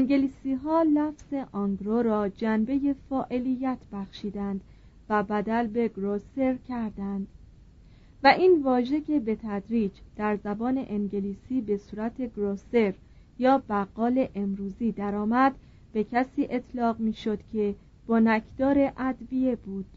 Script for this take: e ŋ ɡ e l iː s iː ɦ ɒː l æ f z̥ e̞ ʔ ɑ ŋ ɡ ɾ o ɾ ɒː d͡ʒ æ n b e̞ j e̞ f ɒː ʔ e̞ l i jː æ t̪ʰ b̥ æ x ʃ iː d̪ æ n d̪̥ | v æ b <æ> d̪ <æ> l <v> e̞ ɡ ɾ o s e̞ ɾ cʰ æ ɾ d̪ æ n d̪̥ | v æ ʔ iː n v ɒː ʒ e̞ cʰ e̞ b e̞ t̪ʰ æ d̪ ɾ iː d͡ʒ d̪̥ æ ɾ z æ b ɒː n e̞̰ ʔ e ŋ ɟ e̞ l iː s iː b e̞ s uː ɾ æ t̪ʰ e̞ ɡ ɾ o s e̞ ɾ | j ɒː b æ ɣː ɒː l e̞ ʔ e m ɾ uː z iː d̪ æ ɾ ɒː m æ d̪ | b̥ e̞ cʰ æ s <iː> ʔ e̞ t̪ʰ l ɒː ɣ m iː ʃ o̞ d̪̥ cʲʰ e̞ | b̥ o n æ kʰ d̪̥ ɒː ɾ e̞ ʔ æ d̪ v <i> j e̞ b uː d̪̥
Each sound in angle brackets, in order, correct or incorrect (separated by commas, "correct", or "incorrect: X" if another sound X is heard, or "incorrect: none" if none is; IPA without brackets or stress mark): correct, correct, incorrect: b, correct, correct